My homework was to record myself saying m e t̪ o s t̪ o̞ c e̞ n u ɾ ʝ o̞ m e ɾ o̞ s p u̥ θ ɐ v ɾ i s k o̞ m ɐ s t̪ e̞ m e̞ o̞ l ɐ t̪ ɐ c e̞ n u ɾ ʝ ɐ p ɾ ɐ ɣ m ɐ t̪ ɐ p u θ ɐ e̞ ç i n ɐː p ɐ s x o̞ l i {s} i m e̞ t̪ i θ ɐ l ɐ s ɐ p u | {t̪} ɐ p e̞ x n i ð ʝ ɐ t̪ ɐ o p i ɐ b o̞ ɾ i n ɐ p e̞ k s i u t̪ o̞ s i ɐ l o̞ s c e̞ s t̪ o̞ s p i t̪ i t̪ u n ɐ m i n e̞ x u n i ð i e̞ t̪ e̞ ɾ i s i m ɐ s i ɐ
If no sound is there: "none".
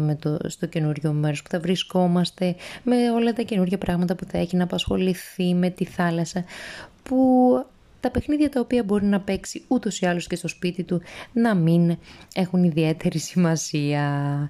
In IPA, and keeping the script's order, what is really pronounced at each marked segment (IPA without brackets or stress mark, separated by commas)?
θ, t̪